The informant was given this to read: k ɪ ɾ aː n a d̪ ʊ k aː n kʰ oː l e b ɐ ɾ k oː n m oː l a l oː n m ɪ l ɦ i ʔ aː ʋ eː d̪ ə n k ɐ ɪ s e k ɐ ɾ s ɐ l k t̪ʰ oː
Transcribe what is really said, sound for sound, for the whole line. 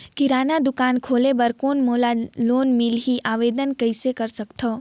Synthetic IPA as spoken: k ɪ ɾ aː n a d̪ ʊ k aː n kʰ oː l e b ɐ ɾ k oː n m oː l a l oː n m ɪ l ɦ i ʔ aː ʋ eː d̪ ə n k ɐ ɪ s e k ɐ ɾ s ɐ k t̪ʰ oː